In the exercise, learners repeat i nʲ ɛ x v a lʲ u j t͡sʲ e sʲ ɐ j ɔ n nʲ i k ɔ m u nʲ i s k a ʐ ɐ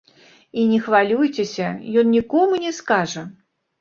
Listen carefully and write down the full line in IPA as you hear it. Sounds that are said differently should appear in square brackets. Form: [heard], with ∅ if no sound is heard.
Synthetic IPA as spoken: i nʲ ɛ x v a lʲ u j t͡sʲ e sʲ ɐ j ɔ n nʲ i k ɔ m u nʲ [ɛ] s k a ʐ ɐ